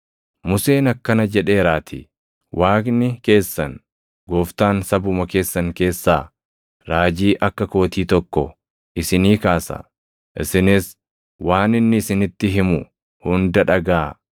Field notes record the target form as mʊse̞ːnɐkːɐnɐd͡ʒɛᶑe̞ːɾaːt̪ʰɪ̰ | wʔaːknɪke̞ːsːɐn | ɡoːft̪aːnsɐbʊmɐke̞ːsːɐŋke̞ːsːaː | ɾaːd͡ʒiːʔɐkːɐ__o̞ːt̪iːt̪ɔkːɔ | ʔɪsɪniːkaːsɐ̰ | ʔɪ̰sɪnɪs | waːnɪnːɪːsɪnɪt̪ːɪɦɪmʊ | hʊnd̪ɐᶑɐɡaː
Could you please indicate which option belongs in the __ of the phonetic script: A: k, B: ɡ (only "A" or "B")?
A